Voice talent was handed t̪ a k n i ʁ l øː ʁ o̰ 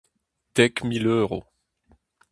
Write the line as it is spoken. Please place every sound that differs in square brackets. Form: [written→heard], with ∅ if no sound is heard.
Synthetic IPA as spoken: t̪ [a→ɛ] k [n→m] i [ʁ→∅] l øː ʁ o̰